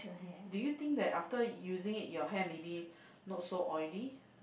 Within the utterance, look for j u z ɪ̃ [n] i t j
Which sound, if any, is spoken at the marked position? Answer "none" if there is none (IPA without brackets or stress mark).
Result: ŋ